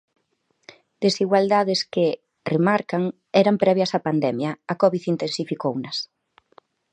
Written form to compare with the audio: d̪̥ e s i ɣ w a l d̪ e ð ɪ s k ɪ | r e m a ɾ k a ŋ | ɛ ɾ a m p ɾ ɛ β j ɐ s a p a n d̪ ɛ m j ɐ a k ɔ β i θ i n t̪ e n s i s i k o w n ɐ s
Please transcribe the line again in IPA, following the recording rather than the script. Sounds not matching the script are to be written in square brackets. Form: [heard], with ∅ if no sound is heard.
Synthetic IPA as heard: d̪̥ e s i ɣ w a l d̪ [a] ð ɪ s k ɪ | r e m a ɾ k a ŋ | ɛ ɾ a m p ɾ ɛ β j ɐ s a p a n d̪ ɛ m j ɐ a k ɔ β i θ i n t̪ e n s i [f] i k o w n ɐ s